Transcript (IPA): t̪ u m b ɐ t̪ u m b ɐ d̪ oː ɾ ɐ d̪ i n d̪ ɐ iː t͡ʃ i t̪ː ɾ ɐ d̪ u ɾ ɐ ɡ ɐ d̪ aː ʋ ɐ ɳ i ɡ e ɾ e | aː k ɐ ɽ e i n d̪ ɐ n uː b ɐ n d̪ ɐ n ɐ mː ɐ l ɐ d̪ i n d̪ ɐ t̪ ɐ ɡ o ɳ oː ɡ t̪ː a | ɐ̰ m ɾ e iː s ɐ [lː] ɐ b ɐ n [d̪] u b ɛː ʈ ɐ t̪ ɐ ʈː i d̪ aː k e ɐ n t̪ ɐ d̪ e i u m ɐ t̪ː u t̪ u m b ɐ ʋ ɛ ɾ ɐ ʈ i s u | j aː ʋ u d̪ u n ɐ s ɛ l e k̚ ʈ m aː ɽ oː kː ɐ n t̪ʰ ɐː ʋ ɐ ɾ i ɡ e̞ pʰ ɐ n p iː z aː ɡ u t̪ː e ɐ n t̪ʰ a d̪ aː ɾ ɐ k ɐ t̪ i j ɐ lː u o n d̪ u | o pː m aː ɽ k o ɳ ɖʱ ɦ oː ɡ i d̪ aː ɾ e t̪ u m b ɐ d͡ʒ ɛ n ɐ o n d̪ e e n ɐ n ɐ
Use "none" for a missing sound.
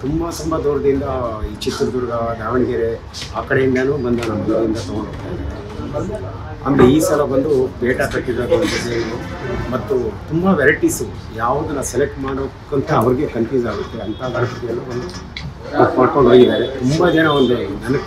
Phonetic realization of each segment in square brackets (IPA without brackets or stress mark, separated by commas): l, d̪